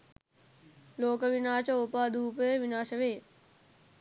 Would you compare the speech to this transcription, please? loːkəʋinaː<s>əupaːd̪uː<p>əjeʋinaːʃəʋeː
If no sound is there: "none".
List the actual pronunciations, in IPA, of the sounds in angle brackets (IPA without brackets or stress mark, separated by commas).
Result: ʃ, p